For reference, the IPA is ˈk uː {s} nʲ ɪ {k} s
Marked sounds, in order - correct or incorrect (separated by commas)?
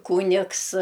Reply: incorrect, correct